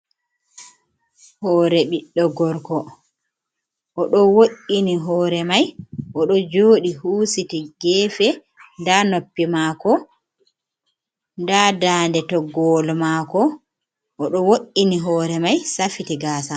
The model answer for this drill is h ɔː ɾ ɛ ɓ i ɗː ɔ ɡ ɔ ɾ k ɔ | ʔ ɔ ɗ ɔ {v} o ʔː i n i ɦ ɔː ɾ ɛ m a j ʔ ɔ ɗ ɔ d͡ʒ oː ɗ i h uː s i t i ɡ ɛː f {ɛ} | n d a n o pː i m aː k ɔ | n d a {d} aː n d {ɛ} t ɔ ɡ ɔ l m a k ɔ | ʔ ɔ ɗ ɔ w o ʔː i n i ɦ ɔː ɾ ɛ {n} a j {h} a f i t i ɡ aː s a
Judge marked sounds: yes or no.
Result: no, yes, yes, yes, no, no

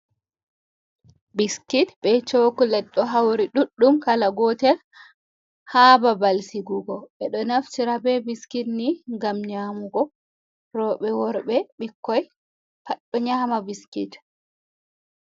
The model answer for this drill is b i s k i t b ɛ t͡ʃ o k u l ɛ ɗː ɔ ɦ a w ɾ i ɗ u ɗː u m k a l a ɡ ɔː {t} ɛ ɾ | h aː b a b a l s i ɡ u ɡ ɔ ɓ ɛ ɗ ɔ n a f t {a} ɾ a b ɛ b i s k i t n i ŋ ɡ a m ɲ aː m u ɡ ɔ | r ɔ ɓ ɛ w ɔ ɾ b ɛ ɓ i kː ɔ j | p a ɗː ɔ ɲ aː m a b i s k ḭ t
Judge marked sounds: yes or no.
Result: yes, no

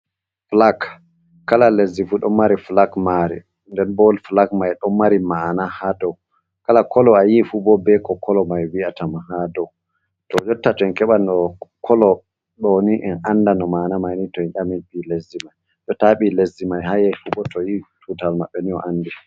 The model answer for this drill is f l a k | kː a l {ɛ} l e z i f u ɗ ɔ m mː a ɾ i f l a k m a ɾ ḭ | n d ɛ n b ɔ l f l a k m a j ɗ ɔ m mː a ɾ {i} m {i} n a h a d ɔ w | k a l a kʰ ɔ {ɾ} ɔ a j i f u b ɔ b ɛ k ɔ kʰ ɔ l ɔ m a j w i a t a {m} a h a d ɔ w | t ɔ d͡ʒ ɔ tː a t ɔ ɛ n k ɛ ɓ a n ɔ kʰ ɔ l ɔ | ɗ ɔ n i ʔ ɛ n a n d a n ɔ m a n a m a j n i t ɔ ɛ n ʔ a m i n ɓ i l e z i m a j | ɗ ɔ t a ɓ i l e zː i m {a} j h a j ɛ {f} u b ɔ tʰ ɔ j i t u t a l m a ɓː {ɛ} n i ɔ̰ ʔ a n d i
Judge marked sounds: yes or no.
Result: no, yes, no, no, yes, yes, yes, yes

